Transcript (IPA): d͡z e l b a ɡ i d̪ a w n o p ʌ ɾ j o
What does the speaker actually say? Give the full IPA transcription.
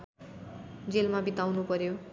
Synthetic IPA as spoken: d͡z e l m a b i t̪ a w n u p ʌ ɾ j o